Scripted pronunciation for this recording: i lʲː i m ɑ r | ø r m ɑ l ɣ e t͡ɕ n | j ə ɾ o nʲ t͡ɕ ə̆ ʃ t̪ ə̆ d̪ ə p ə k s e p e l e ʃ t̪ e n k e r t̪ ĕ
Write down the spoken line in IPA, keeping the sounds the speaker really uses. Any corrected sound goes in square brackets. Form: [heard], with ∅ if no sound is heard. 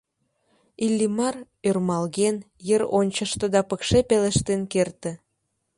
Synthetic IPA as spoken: i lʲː i m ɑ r | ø r m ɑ l ɣ e [∅] n | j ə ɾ o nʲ t͡ɕ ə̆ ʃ t̪ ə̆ d̪ [ɑ] p ə k [ʃ] e p e l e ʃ t̪ e n k e r t̪ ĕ